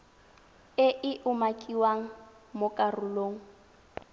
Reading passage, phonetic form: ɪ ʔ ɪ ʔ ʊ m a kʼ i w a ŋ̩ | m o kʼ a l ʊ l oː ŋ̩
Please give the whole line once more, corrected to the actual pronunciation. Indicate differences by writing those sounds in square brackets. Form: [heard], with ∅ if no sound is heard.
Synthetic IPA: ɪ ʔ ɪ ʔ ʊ m a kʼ i w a ŋ̩ | m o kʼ a [r] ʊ l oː ŋ̩